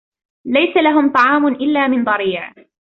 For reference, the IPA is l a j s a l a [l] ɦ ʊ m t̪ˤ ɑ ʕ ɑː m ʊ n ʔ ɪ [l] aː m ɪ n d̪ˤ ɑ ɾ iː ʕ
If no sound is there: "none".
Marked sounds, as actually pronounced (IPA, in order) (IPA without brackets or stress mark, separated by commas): none, lː